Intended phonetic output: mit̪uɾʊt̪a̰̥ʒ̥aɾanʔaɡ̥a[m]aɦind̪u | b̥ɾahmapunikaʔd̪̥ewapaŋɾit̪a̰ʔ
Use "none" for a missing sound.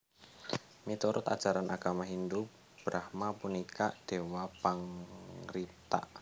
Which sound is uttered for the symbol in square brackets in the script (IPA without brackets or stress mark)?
m